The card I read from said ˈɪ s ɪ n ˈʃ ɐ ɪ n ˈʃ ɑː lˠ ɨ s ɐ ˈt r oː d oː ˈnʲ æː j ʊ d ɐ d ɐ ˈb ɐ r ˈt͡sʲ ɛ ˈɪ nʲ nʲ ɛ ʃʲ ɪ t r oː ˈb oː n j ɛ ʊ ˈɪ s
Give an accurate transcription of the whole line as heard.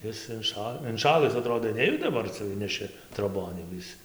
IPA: ˈɪ s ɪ n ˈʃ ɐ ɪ n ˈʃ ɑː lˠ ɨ s ɐ ˈt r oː d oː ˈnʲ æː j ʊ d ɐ d ɐ ˈb ɐ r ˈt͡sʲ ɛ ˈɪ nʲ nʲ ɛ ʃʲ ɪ t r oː ˈb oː n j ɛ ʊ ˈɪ s